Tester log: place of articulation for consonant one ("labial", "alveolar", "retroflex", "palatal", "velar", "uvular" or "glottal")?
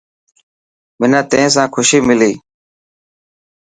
labial